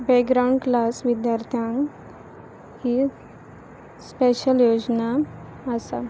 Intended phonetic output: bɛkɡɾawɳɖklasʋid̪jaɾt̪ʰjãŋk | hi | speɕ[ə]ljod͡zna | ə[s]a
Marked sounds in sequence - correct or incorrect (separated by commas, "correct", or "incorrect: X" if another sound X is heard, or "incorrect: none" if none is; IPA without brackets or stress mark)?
correct, correct